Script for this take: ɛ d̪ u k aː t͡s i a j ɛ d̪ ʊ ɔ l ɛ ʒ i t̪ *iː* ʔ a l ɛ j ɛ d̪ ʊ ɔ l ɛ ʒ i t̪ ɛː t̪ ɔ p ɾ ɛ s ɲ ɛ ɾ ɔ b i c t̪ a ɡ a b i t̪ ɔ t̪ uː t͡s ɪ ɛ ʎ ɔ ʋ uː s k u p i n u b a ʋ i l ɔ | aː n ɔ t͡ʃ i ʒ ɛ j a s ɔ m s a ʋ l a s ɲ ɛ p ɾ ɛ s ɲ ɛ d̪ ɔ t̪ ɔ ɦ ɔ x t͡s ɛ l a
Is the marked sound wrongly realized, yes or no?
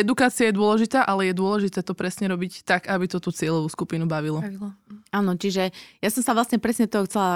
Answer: yes